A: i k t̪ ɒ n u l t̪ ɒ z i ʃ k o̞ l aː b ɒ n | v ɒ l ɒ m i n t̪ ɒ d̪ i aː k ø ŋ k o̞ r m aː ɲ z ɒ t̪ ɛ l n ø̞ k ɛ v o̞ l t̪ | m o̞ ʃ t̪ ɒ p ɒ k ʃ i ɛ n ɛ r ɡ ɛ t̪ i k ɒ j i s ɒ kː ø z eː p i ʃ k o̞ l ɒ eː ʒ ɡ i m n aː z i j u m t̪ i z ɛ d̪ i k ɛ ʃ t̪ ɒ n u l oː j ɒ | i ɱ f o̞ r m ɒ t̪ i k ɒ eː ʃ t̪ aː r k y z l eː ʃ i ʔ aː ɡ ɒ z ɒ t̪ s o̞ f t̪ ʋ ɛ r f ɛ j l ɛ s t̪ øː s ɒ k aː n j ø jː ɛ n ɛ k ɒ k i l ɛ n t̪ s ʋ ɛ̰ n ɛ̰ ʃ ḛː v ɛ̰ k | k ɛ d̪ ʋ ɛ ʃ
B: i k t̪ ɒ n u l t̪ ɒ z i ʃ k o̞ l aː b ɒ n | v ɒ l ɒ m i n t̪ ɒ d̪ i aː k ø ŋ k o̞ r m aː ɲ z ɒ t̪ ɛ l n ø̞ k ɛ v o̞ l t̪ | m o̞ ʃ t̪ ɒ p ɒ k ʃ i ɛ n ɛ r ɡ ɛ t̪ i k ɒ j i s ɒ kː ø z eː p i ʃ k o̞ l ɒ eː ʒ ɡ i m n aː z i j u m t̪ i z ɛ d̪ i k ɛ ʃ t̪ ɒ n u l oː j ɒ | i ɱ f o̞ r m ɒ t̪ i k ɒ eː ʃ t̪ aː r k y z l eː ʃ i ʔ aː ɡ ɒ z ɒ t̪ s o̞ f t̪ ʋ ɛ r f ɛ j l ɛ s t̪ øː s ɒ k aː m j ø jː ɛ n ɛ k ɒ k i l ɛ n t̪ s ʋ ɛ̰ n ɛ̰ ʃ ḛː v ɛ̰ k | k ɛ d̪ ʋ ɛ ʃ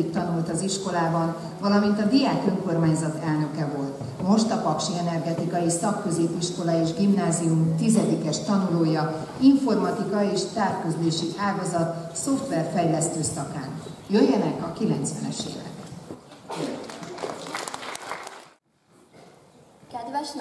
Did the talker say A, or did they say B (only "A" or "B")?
A